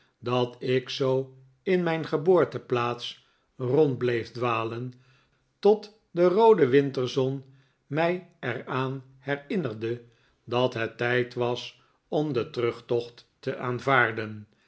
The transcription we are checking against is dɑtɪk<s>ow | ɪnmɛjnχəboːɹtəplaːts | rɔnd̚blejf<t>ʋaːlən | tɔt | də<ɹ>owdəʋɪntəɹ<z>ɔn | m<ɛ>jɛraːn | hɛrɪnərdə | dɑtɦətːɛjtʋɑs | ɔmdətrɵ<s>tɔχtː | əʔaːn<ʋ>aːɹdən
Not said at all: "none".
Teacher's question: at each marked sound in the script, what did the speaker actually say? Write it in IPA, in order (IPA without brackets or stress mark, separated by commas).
s, d, r, z, ɛ, χ, v